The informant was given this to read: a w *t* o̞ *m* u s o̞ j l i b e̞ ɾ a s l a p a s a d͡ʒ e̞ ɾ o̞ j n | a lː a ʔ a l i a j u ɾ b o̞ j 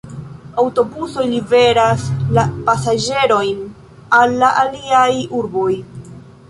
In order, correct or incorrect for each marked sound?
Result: correct, incorrect

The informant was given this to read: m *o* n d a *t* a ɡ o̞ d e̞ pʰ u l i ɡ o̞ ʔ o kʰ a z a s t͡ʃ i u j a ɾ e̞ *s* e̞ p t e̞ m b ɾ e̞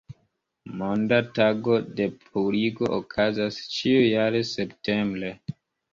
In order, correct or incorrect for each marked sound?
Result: correct, correct, correct

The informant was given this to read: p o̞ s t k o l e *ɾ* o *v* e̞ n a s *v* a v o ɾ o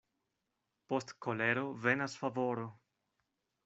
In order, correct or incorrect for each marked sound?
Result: correct, correct, incorrect

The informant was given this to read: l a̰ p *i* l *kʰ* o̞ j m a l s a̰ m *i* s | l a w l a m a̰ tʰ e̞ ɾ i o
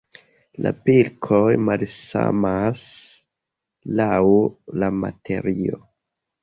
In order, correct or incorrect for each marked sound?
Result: correct, correct, incorrect

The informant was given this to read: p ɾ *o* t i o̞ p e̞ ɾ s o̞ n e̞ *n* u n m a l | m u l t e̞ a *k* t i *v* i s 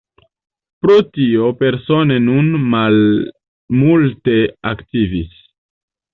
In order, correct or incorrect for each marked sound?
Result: correct, correct, correct, correct

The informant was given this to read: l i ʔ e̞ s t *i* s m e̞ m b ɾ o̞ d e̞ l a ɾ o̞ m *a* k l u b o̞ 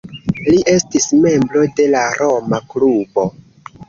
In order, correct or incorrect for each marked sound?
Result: correct, correct

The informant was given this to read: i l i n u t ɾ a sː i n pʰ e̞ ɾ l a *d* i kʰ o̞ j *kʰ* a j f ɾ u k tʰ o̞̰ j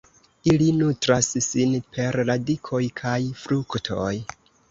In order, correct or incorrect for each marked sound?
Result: correct, correct

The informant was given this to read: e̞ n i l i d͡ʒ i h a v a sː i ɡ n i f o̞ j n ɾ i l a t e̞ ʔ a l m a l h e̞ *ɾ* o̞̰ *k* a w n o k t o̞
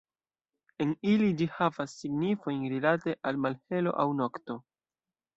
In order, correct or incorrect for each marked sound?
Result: incorrect, incorrect

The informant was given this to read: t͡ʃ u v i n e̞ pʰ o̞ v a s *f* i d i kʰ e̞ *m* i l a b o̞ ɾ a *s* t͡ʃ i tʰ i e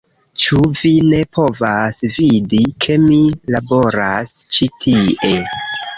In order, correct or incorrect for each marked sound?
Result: incorrect, correct, correct

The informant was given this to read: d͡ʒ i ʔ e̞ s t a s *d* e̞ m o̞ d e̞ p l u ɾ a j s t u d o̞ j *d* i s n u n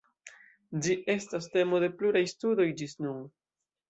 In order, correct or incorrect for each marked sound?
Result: incorrect, incorrect

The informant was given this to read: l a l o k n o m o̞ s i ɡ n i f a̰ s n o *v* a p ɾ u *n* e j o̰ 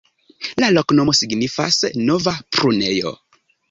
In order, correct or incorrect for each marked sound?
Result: correct, correct

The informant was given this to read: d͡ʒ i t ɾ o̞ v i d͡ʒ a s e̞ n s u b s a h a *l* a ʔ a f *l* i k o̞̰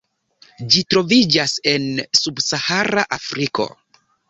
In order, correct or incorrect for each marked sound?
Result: incorrect, incorrect

